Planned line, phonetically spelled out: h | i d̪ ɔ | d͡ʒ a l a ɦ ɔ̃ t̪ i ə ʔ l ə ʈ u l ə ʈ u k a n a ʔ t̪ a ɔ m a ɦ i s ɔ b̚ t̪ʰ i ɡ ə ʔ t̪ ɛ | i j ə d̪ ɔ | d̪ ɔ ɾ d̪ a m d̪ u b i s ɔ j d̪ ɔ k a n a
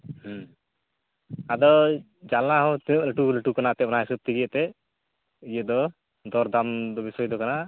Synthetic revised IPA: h | a d̪ ɔ | d͡ʒ a l a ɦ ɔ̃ t̪ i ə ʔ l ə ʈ u l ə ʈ u k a n a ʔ t̪ ɛ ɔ n a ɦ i s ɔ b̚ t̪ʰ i ɡ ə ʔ t̪ ɛ | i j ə d̪ ɔ | d̪ ɔ ɾ d̪ a m d̪ ɔ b i s ɔ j d̪ ɔ k a n a